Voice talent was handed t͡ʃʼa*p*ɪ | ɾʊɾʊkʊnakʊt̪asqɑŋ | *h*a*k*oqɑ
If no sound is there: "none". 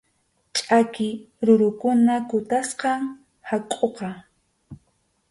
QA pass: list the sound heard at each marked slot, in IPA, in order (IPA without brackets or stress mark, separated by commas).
k, h, kʼ